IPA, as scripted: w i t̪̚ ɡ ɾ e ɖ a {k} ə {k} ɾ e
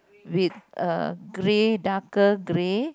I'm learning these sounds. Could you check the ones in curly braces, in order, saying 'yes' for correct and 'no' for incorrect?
yes, no

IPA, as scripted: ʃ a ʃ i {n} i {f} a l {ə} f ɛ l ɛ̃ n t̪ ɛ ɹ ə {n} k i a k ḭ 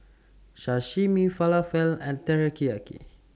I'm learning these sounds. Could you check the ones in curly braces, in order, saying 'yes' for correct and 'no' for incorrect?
no, yes, no, no

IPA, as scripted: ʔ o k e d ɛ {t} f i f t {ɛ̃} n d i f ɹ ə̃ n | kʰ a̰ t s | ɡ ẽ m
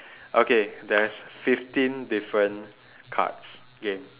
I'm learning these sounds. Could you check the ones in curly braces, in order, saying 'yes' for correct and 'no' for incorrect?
no, no

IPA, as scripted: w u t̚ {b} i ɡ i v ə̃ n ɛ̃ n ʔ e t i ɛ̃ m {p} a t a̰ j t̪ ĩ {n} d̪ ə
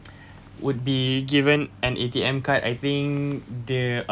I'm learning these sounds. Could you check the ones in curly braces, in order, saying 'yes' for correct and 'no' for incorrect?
yes, no, no

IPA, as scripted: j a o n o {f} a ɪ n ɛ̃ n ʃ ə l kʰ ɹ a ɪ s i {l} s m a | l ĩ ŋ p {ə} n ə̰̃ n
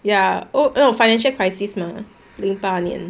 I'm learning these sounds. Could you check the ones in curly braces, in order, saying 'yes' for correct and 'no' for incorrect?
yes, no, no

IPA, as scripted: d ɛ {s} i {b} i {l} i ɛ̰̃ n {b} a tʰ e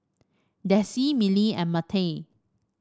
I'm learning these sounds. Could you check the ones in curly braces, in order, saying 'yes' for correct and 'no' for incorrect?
yes, no, yes, no

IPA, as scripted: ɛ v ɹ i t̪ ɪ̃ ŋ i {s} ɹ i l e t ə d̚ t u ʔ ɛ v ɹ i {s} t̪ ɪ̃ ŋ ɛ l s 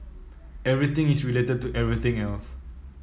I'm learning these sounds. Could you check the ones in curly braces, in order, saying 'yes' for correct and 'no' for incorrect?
yes, no

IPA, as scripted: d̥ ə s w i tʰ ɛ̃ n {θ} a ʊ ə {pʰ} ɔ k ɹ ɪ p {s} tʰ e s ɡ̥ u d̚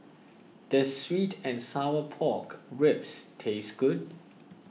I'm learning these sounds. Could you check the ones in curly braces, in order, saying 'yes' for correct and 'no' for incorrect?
no, yes, yes

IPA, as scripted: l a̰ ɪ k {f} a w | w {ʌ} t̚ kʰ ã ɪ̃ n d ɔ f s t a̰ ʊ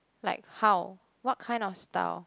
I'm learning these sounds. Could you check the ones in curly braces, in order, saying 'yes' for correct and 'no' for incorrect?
no, no

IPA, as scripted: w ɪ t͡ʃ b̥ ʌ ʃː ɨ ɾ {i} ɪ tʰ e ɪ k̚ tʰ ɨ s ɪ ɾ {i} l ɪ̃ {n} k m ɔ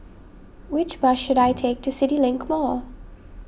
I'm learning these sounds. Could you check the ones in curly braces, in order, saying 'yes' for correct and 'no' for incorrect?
no, yes, no

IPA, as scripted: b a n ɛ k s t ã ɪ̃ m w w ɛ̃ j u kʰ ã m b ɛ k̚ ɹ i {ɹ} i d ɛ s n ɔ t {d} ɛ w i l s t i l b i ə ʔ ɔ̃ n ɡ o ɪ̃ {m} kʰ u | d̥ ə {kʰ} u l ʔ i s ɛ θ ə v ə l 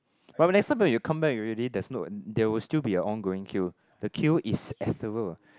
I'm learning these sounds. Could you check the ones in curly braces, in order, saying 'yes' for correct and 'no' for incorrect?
no, yes, no, yes

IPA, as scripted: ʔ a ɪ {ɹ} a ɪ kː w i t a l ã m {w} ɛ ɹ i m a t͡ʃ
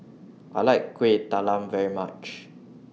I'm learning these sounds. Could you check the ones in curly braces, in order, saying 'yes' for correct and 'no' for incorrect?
no, no

